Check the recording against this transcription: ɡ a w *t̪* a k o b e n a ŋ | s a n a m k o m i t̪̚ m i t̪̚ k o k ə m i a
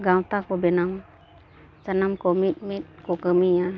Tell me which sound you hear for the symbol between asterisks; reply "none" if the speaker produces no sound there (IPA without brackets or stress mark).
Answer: t̪